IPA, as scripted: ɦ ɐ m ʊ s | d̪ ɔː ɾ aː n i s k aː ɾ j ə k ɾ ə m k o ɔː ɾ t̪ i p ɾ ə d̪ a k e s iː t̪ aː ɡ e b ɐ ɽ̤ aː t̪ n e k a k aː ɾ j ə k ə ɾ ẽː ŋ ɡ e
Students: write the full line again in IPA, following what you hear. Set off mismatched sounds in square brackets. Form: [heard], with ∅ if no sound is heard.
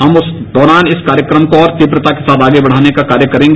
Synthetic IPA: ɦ ɐ m ʊ s | d̪ ɔː ɾ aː n [ɪ] s k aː ɾ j ə k ɾ ə m k o ɔː ɾ t̪ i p ɾ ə [t̪] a k e s [aː] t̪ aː ɡ e b ɐ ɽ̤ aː [∅] n e k a k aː ɾ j ə k [ɐ] ɾ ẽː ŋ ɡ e

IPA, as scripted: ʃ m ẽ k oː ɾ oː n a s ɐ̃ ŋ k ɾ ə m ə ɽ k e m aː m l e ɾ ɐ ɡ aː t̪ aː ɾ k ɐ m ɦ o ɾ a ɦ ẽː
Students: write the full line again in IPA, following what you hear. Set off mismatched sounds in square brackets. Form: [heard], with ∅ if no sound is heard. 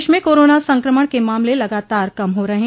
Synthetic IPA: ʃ m ẽ k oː ɾ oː n a s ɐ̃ ŋ k ɾ ə m ə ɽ k e m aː m l e [l] ɐ ɡ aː t̪ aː ɾ k ɐ m ɦ o ɾ [ɐ] ɦ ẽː

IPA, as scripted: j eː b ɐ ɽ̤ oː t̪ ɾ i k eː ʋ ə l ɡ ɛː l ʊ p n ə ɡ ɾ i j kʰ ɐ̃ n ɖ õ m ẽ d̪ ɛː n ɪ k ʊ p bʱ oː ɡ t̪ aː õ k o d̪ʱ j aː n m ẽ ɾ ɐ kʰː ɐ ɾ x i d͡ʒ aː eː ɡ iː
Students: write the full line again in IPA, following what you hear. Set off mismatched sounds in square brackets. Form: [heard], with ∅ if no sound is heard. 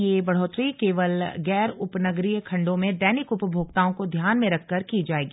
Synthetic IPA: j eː b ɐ ɽ̤ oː t̪ ɾ i k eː ʋ ə l ɡ ɛː [ɾ] ʊ p n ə ɡ ɾ i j kʰ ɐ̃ [ɳ] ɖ õ m ẽ d̪ ɛː n ɪ k ʊ p bʱ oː ɡ t̪ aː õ k o d̪ʱ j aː n m ẽ ɾ ɐ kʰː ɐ ɾ [k] i d͡ʒ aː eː ɡ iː

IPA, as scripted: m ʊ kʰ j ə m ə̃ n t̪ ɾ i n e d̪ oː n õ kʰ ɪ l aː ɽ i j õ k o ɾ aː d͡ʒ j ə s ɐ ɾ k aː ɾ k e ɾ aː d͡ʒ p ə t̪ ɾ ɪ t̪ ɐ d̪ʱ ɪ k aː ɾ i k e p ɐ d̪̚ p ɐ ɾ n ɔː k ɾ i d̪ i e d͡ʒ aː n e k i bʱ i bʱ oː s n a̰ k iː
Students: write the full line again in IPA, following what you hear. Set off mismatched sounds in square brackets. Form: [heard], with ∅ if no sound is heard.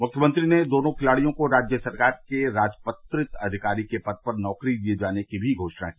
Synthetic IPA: m ʊ kʰ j ə m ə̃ n t̪ ɾ i n e d̪ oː n õ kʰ ɪ l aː ɽ i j õ k o ɾ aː d͡ʒ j ə s ɐ ɾ k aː ɾ k e ɾ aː d͡ʒ p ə t̪ ɾ ɪ t̪ ɐ d̪ʱ ɪ k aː ɾ i k e p ɐ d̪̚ p ɐ ɾ n ɔː k ɾ i d̪ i e d͡ʒ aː n e k i bʱ i [ɡʱ] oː [ʃ] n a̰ k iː

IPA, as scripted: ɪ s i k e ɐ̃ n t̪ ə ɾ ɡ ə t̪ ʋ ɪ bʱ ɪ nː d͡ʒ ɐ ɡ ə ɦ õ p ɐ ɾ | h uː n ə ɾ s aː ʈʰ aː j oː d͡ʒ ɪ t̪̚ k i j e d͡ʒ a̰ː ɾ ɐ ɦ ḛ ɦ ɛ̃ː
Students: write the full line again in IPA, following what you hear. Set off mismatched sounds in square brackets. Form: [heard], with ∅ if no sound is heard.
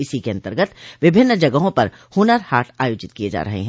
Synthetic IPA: ɪ s i k e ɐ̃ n t̪ ə ɾ ɡ ə t̪ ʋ ɪ bʱ ɪ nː d͡ʒ ɐ ɡ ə ɦ õ p ɐ ɾ | h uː n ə ɾ [h] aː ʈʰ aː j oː d͡ʒ ɪ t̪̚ k i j e d͡ʒ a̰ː ɾ ɐ ɦ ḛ ɦ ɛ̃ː

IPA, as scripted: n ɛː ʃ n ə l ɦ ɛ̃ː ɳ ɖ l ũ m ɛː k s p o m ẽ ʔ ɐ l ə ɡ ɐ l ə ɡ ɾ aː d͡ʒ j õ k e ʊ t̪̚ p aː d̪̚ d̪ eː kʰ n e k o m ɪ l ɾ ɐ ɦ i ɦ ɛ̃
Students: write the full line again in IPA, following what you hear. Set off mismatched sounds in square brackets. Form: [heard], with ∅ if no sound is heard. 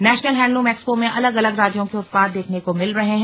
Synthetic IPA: n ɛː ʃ n ə l ɦ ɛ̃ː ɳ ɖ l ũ m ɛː k s p o m ẽ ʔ ɐ l ə ɡ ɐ l ə ɡ ɾ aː d͡ʒ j õ k e ʊ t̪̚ p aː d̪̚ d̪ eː kʰ n e k o m ɪ l ɾ ɐ ɦ [e] ɦ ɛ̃

